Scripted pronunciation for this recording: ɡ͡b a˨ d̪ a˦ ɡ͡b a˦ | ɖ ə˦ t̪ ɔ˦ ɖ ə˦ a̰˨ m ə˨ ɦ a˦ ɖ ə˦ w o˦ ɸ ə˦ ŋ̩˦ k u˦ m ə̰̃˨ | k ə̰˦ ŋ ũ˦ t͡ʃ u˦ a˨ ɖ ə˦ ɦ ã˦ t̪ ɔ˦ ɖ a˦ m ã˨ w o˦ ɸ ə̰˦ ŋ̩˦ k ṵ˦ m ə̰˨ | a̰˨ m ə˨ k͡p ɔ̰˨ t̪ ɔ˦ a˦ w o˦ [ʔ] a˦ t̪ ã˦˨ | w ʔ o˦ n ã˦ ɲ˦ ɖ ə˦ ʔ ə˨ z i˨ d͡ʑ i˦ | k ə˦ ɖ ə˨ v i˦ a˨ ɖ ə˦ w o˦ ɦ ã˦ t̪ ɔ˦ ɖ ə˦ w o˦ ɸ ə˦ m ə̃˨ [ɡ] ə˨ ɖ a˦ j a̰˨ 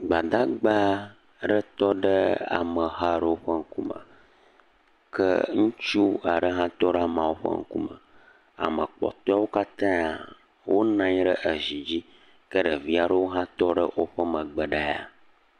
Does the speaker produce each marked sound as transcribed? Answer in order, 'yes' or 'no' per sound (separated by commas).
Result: no, no